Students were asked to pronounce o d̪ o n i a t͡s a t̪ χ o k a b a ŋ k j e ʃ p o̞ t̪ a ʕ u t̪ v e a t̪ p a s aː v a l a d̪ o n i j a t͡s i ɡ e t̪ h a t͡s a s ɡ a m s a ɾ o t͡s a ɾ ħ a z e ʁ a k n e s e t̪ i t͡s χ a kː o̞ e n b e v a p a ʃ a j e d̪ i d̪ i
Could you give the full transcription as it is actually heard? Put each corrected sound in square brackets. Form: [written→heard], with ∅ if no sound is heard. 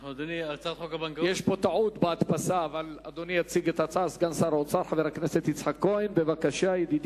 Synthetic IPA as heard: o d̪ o n i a t͡s a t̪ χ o k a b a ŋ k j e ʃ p o̞ t̪ a ʕ u t̪ [v→b] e a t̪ p a s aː v a l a d̪ o n i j a t͡s i ɡ e t̪ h a t͡s a s ɡ a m s a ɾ o t͡s a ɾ ħ a [z→v] e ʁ a k n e s e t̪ i t͡s [χ→ħ] a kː o̞ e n b e v a [p→k] a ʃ a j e d̪ i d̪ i